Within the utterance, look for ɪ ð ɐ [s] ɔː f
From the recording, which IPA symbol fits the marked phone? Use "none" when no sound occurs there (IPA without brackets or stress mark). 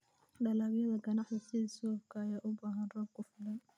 s